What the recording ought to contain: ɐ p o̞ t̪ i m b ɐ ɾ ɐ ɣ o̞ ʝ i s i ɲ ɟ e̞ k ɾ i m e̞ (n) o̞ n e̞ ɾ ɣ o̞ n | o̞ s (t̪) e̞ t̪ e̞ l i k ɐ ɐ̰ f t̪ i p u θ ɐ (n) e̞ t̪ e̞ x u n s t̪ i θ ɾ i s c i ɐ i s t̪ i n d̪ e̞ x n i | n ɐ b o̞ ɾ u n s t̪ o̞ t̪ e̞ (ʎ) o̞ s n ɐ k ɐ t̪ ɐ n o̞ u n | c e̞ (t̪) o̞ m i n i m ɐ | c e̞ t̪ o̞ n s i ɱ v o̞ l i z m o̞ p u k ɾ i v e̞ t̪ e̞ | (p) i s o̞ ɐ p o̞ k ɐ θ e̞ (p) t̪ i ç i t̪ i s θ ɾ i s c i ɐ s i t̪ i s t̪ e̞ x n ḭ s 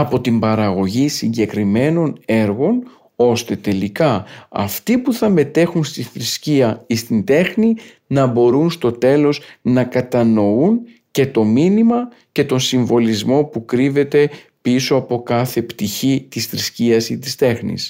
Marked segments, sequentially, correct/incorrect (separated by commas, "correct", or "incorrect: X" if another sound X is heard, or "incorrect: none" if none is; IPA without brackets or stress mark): correct, correct, incorrect: m, incorrect: l, correct, correct, correct